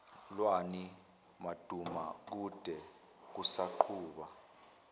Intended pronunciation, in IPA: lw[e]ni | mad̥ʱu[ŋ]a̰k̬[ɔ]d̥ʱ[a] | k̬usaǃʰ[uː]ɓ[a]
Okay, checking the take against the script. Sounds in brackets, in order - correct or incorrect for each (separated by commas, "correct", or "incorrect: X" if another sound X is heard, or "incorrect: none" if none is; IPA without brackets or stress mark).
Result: incorrect: a, incorrect: m, incorrect: u, incorrect: ɛ, correct, correct